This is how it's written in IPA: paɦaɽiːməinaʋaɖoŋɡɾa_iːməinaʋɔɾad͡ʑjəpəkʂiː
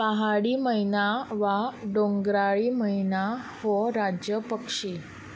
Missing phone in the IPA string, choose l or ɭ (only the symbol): ɭ